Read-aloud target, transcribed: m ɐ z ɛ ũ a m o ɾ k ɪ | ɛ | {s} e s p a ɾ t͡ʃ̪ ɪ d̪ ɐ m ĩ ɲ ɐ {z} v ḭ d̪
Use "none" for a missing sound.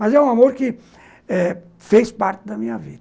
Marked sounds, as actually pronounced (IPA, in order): f, none

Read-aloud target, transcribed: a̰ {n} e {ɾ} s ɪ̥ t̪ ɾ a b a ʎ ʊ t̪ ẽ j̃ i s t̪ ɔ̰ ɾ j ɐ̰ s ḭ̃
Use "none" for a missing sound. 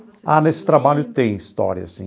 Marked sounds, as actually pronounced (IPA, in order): n, none

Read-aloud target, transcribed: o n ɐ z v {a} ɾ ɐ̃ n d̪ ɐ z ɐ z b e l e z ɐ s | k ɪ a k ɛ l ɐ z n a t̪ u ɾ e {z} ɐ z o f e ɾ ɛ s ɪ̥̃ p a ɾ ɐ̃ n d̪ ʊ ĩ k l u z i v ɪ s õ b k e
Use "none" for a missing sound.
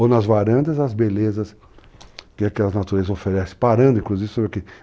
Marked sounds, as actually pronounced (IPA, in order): a, z

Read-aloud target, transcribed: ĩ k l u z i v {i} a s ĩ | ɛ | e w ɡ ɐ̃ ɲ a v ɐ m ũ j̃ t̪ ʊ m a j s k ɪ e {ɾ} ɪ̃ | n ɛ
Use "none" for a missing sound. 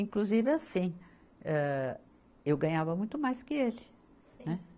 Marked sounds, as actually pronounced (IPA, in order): ɪ, l

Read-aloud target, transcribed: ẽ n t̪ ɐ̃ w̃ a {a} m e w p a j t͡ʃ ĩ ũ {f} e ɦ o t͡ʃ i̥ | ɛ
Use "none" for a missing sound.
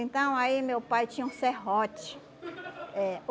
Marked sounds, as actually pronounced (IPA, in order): i, s

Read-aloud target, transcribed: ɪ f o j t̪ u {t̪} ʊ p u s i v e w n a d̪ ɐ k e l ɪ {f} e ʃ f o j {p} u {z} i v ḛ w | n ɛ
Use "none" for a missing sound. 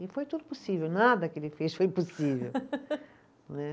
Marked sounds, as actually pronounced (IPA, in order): d̪, f, p, s

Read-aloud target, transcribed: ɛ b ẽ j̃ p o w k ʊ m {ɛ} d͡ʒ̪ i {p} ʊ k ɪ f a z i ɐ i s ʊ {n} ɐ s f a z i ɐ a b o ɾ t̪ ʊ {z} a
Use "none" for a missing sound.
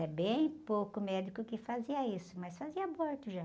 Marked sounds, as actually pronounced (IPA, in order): ɛ, k, m, ʒ

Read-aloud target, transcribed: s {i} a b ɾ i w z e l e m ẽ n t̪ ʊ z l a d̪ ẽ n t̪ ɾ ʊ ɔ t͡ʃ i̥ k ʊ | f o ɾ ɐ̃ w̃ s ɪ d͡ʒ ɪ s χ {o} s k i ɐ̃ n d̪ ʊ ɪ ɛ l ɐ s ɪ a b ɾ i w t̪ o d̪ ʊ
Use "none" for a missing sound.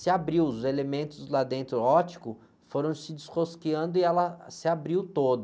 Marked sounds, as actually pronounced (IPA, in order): ɪ, o

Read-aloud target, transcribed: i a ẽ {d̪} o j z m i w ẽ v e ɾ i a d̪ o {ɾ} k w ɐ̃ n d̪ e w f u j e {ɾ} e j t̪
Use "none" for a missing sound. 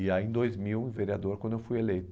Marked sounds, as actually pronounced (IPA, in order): d̪, ɾ, l

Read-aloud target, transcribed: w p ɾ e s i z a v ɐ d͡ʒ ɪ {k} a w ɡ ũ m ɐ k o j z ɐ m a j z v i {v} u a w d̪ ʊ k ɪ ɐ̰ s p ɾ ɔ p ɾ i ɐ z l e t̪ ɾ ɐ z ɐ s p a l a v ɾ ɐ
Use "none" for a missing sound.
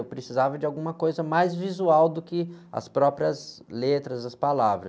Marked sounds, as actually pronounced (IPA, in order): none, z

